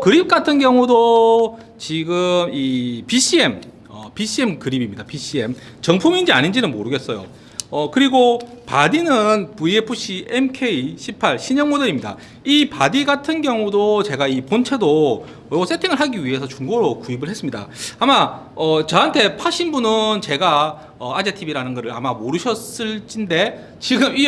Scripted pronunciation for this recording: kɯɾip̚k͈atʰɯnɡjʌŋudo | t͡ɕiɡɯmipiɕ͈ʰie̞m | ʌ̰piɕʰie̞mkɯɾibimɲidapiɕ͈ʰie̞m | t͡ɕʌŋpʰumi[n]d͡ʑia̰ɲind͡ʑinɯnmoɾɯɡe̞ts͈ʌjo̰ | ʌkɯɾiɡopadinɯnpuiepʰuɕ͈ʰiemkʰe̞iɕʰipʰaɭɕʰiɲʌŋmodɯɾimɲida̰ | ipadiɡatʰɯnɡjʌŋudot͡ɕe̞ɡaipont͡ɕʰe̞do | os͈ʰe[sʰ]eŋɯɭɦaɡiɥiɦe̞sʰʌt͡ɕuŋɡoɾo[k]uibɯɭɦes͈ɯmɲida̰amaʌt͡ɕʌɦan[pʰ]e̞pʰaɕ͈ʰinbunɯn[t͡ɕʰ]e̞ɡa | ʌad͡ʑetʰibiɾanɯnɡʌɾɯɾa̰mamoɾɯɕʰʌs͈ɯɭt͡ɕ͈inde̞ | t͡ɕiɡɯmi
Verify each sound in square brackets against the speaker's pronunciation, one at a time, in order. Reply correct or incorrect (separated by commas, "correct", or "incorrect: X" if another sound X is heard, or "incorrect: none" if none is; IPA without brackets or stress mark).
correct, incorrect: tʰ, correct, incorrect: tʰ, incorrect: t͡ɕ